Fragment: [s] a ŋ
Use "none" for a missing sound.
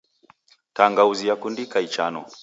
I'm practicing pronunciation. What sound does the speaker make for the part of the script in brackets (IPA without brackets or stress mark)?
t